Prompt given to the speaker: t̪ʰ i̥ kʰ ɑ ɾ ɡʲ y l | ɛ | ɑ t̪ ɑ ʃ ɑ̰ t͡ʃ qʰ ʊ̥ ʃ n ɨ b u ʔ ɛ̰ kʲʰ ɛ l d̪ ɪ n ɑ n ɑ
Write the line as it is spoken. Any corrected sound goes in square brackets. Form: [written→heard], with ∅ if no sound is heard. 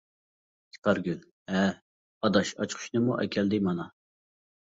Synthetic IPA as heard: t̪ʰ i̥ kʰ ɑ ɾ ɡʲ y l | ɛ | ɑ [t̪→d̪] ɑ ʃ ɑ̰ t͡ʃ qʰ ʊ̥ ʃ n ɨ [b→m] u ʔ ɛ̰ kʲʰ ɛ l d̪ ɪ [n→m] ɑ n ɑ

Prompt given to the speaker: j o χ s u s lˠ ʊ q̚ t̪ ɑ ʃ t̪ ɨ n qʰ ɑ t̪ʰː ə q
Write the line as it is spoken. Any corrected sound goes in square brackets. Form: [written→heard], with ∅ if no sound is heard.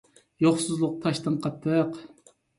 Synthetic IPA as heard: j o χ s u [s→z] lˠ ʊ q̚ [t̪→t̪ʰ] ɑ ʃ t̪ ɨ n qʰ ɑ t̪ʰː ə q

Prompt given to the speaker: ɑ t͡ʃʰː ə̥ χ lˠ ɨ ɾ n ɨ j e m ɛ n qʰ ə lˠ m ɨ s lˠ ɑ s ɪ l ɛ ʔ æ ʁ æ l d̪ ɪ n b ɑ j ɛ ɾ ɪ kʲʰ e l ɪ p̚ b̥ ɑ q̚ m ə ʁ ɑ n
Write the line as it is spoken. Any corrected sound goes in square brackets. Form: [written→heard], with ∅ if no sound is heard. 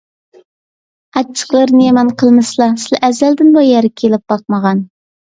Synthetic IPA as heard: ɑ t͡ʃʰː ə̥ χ lˠ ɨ ɾ n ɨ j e m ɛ n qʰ ə lˠ m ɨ s lˠ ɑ s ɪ l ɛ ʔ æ [ʁ→z] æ l d̪ ɪ n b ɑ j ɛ ɾ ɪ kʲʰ e l ɪ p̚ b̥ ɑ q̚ m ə ʁ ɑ n

